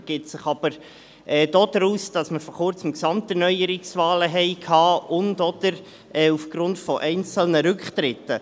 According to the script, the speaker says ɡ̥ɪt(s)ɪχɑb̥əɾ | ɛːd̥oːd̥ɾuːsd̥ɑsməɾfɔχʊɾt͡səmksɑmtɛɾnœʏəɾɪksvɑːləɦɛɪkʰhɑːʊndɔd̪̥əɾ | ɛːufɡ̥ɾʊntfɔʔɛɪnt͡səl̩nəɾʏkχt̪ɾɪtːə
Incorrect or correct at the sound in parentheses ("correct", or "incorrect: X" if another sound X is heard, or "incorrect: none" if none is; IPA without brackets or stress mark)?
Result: correct